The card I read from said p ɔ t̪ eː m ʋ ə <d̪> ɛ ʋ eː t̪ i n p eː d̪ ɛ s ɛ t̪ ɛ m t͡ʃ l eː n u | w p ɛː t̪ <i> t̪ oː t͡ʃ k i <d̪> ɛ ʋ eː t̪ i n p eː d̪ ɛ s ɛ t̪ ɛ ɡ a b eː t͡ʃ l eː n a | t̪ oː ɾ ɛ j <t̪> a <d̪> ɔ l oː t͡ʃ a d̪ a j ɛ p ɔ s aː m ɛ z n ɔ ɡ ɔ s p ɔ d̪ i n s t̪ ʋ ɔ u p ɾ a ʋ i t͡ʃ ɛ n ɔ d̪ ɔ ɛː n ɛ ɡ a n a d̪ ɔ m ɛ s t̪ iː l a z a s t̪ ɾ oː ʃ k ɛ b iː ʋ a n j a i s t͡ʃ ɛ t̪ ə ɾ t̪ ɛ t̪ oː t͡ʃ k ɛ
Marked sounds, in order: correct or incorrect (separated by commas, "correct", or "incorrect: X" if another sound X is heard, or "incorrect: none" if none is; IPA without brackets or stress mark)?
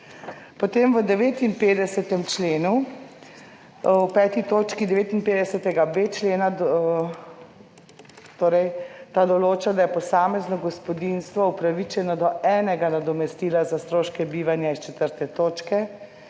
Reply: correct, correct, correct, correct, correct